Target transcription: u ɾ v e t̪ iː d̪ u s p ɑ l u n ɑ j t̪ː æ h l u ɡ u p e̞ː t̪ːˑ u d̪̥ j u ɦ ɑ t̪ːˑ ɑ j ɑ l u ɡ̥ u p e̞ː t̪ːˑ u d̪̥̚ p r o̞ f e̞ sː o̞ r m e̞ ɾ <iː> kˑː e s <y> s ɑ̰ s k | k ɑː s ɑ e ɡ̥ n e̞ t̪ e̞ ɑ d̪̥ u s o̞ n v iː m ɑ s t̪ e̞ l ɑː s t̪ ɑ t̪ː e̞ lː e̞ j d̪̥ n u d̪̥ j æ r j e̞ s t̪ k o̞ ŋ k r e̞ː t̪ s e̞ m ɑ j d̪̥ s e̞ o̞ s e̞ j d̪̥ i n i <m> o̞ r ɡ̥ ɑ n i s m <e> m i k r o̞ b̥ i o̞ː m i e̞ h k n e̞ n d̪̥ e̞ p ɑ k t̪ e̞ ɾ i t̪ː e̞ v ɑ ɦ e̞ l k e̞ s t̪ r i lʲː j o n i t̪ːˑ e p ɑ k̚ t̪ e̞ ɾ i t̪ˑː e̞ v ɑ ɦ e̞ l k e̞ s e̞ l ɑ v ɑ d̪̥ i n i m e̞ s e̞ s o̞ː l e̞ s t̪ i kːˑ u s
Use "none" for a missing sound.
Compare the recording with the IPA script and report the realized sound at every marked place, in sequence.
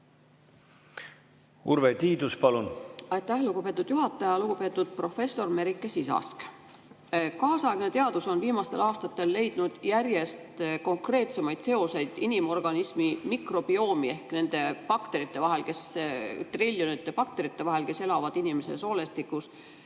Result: i, i, m, i

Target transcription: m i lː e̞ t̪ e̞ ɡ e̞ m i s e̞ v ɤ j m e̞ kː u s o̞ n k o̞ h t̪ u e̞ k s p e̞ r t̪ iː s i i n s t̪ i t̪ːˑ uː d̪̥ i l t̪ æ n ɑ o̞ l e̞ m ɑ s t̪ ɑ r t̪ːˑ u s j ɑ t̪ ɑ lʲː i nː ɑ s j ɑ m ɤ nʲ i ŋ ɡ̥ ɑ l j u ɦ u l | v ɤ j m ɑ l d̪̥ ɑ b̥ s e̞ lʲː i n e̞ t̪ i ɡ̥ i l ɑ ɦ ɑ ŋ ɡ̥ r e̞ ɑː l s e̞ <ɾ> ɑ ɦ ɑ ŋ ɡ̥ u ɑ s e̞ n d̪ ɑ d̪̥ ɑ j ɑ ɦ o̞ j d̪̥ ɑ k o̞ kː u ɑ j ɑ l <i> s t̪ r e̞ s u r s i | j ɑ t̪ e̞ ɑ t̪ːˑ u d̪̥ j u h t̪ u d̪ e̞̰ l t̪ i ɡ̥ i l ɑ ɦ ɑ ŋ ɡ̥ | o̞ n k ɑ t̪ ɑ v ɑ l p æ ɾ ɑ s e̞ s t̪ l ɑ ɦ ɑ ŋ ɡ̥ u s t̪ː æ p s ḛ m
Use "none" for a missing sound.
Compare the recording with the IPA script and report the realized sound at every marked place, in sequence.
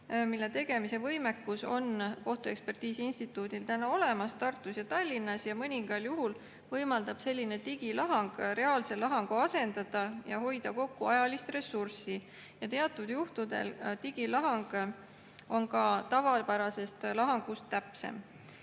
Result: l, i

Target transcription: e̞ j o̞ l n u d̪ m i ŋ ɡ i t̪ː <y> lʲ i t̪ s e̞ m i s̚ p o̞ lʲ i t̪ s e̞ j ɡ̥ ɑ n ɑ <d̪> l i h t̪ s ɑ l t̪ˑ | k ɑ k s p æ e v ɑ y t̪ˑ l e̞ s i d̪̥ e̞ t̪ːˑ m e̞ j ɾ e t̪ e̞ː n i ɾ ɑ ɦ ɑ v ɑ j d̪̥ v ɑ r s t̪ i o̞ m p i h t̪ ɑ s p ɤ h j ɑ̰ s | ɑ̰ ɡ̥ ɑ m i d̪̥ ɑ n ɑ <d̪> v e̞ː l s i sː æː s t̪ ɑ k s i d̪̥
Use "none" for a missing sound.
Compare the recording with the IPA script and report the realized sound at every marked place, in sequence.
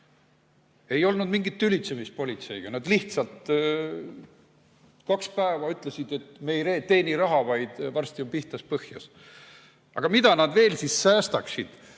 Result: y, d̪, d̪

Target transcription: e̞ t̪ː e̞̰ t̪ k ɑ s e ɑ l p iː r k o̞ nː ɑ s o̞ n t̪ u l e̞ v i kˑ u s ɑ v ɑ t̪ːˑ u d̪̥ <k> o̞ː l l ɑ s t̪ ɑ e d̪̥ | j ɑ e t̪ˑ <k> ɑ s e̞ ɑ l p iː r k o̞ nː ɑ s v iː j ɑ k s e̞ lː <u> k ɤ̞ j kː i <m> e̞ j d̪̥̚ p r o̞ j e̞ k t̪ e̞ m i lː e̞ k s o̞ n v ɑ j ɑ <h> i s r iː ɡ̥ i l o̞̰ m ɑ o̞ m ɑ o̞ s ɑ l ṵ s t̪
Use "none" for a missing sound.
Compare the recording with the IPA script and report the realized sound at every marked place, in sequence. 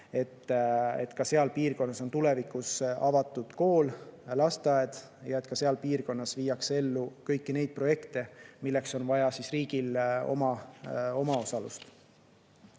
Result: k, k, u, n, s

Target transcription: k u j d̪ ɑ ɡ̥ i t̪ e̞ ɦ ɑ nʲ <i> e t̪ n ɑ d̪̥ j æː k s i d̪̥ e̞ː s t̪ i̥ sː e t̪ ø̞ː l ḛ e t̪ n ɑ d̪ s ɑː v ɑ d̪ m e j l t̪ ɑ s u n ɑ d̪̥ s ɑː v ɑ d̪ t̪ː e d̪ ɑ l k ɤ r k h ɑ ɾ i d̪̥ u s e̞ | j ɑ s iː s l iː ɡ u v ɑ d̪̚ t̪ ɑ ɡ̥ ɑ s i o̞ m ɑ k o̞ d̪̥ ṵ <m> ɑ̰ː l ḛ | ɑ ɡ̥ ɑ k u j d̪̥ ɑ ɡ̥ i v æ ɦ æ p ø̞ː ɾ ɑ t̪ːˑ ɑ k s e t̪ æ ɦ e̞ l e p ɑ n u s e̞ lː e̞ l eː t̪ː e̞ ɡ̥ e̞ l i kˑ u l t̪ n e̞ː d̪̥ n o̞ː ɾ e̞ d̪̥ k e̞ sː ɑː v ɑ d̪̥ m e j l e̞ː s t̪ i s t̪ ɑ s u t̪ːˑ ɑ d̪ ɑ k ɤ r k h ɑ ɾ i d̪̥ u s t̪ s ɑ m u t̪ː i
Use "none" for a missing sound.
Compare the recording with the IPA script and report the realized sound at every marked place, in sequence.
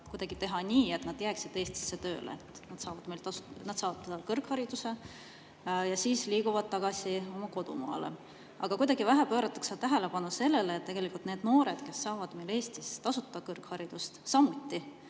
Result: iː, m

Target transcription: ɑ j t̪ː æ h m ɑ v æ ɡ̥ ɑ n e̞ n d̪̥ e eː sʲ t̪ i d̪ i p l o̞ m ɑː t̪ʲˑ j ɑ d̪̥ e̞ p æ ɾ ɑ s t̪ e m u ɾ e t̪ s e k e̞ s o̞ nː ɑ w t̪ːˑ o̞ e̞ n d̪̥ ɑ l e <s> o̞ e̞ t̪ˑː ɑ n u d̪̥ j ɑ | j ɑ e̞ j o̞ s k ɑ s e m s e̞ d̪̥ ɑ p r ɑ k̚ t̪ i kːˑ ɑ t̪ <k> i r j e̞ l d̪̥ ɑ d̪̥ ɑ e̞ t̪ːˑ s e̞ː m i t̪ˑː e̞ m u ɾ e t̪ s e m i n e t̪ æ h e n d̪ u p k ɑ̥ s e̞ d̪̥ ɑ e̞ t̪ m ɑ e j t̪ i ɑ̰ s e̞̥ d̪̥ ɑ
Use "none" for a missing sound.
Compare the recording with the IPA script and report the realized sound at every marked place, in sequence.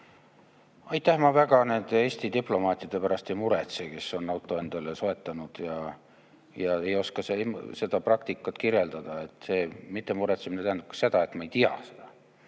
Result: s, k

